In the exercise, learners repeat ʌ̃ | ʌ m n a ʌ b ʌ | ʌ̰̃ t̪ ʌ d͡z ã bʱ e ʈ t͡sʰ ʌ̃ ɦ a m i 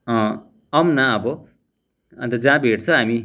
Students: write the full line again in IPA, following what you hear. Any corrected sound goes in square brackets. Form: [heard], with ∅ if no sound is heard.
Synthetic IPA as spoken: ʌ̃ | ʌ m n a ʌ b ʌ | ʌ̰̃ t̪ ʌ d͡z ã bʱ e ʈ t͡sʰ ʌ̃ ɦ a m i